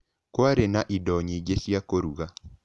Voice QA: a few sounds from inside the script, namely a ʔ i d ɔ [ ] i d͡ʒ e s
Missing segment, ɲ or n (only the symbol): ɲ